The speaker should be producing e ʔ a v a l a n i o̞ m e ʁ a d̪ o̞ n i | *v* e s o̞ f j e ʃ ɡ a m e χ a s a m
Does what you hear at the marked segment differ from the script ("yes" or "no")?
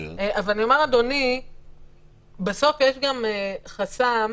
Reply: yes